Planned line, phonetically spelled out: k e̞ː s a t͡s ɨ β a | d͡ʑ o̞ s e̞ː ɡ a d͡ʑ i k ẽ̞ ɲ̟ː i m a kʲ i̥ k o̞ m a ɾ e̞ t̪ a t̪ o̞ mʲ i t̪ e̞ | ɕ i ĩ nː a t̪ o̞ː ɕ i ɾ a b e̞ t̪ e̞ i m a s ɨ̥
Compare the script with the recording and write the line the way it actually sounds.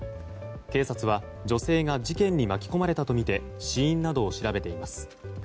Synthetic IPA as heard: k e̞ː s a t͡s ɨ β a | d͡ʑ o̞ s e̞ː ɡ a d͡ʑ i k ẽ̞ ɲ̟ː i m a kʲ i̥ k o̞ m a ɾ e̞ t̪ a t̪ o̞ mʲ i t̪ e̞ | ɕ i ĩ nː a d̪ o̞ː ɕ i ɾ a b e̞ t̪ e̞ i m a s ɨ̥